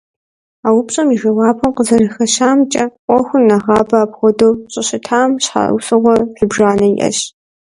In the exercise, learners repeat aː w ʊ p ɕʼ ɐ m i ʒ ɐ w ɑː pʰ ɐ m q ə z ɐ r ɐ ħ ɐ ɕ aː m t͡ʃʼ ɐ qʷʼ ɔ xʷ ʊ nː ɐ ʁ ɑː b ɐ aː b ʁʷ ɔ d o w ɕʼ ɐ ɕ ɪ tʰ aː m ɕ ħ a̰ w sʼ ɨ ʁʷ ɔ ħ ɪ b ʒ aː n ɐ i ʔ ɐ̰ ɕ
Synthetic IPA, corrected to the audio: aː w ʊ p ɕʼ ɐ m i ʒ ɐ w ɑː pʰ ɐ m q ə z ɐ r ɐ x ɐ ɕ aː m t͡ʃʼ ɐ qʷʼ ɔ xʷ ʊ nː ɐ ʁ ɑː b ɐ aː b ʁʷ ɔ d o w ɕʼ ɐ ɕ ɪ tʰ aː m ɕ ħ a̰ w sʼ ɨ ʁʷ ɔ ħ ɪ b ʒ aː n ɐ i ʔ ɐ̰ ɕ